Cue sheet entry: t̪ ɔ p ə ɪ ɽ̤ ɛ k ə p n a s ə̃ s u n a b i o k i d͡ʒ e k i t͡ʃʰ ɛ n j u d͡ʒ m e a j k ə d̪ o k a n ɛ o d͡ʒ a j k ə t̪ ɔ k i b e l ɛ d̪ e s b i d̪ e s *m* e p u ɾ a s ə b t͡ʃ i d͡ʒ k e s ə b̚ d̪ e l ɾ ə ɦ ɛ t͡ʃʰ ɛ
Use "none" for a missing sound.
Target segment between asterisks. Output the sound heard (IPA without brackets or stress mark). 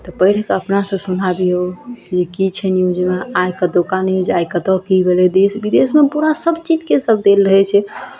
m